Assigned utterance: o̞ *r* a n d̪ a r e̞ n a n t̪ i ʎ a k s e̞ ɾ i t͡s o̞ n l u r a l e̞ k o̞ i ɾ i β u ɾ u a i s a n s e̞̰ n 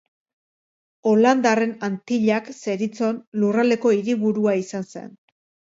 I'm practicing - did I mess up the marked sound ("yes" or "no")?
yes